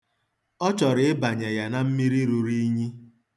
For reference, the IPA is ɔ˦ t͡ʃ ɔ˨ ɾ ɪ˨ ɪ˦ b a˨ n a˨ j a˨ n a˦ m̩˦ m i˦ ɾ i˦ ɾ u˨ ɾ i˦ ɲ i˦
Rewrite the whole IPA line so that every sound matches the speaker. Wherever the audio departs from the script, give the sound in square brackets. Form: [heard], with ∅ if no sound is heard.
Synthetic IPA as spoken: ɔ˦ t͡ʃ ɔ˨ ɾ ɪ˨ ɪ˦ b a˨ [ɲ] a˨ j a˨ n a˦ m̩˦ m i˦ ɾ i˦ ɾ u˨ ɾ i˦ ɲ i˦